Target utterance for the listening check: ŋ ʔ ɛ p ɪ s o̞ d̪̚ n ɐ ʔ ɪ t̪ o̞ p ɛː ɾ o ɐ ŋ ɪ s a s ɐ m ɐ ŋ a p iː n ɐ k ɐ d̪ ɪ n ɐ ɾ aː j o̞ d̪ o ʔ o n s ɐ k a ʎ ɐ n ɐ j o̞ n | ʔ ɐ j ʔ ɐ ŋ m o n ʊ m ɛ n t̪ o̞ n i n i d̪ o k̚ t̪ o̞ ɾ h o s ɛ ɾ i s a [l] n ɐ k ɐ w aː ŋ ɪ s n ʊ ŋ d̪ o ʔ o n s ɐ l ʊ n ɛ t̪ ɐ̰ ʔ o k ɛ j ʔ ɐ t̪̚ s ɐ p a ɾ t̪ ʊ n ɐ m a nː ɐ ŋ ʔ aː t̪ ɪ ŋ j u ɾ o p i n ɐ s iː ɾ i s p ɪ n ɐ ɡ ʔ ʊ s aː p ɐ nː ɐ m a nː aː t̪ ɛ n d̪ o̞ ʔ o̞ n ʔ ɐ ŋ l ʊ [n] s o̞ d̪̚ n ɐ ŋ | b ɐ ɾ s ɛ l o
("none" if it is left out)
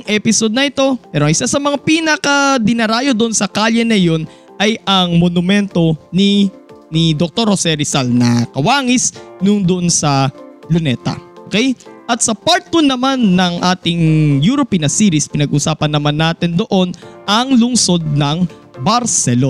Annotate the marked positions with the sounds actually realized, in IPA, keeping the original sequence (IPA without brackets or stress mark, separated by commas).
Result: l, ŋ